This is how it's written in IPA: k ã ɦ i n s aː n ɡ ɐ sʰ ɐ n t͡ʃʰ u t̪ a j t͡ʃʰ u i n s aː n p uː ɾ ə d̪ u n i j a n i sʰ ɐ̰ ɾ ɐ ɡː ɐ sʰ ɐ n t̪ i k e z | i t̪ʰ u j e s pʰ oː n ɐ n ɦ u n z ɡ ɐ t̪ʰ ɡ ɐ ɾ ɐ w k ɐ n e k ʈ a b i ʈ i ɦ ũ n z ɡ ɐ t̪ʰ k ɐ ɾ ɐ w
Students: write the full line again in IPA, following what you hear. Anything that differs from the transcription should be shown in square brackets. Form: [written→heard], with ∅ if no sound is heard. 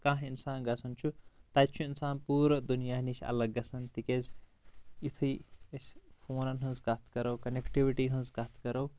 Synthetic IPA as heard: k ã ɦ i n s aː n ɡ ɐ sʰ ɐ n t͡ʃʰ u t̪ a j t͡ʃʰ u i n s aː n p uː ɾ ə d̪ u n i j a n i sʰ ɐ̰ [ɾ→l] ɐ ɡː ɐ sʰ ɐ n t̪ i k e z | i t̪ʰ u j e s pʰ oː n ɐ n ɦ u n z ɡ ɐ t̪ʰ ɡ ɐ ɾ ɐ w k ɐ n e k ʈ [a→i] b i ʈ i ɦ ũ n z ɡ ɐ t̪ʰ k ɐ ɾ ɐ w

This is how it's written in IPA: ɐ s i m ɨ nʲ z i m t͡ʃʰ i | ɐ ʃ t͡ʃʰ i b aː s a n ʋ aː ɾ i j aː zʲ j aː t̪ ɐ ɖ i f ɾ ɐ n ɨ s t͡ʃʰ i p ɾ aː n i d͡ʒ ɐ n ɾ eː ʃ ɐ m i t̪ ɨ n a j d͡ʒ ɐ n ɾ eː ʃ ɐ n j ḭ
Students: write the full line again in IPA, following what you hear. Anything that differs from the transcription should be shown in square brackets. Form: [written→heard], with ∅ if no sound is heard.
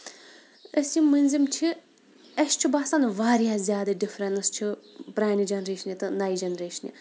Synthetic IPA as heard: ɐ s i m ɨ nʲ z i m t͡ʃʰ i | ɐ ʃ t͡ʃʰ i b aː s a n ʋ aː ɾ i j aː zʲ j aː [t̪→d̪] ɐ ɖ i f ɾ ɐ n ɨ s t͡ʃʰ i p ɾ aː n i d͡ʒ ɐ n ɾ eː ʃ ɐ [m→n] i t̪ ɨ n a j d͡ʒ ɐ n ɾ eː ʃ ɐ n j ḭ

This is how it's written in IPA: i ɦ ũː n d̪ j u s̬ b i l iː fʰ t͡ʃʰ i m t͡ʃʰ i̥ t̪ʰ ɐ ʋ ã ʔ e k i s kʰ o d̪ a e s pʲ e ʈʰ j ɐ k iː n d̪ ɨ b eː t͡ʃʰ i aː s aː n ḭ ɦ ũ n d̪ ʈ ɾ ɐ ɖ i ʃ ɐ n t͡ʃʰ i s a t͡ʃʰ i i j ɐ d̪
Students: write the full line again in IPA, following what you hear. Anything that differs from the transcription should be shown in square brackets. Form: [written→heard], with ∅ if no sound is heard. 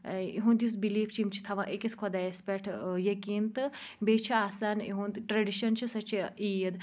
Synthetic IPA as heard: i ɦ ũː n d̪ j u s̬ b i l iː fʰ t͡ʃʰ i m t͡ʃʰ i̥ t̪ʰ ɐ ʋ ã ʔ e k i s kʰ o d̪ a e s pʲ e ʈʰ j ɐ k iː n [d̪→t̪] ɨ b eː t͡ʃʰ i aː s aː n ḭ ɦ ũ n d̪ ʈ ɾ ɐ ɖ i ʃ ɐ n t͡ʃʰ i s [a→ɐ] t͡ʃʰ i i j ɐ d̪

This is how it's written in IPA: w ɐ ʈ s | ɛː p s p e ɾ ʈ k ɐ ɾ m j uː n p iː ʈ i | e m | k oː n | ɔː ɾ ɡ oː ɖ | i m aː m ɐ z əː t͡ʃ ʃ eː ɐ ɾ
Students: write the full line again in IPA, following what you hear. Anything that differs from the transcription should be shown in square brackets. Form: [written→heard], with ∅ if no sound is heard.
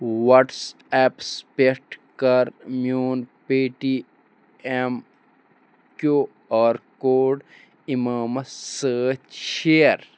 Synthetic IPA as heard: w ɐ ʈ s | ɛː p s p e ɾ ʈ k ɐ ɾ m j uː n p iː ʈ i | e m | k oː [n→∅] | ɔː ɾ [ɡ→k] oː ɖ | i m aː m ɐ [z→s] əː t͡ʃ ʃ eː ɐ ɾ

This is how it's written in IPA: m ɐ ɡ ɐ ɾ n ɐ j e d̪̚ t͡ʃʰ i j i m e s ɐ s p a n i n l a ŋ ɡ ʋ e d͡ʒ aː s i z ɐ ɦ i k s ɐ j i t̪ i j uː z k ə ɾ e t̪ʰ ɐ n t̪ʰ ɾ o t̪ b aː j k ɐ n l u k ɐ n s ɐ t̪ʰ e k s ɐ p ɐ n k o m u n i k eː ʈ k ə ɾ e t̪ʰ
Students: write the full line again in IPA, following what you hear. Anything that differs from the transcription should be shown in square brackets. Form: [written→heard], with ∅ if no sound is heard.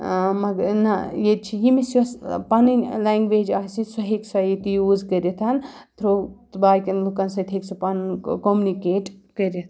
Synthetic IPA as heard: m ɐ ɡ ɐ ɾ n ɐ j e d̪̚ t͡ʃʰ i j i m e s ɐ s p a n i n l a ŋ ɡ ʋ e d͡ʒ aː s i [z→s] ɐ ɦ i k s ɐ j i t̪ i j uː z k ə ɾ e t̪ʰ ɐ n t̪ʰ ɾ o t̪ b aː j k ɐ n l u k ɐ n s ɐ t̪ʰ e k s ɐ p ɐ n k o m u n i k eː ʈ k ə ɾ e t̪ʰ

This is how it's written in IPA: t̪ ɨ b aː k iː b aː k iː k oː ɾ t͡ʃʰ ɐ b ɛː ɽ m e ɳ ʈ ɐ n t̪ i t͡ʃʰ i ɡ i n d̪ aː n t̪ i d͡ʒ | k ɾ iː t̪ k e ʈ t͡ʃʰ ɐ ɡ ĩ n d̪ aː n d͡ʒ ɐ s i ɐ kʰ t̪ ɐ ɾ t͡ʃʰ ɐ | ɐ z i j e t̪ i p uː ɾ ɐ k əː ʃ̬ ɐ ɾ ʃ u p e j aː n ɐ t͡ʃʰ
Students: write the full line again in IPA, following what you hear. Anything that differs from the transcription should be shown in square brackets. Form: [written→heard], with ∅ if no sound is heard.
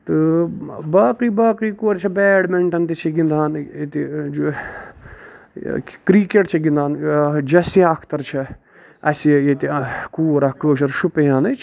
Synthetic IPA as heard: t̪ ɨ b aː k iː b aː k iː k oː ɾ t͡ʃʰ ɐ b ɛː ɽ m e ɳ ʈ ɐ n t̪ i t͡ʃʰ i ɡ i n d̪ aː n t̪ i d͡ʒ | k ɾ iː [t̪→∅] k e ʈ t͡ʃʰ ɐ ɡ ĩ n d̪ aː n d͡ʒ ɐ s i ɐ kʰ t̪ ɐ ɾ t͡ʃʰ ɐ | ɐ [z→s] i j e t̪ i [p→k] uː ɾ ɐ k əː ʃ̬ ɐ ɾ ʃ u p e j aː n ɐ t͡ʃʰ

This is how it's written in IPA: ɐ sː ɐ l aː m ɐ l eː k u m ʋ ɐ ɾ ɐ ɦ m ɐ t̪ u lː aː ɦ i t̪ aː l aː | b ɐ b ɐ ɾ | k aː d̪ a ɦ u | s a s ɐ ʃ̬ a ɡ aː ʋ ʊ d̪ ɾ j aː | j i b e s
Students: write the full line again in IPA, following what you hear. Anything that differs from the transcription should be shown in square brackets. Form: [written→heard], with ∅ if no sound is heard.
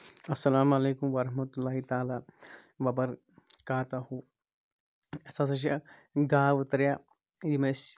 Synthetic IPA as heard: ɐ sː ɐ l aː m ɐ l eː k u m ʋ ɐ ɾ ɐ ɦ m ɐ t̪ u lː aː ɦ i t̪ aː l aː | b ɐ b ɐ ɾ | k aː [d̪→t̪] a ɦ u | s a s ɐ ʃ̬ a ɡ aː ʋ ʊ [d̪→t̪] ɾ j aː | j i [b→m] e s

